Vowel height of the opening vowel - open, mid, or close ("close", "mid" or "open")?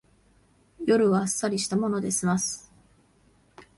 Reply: mid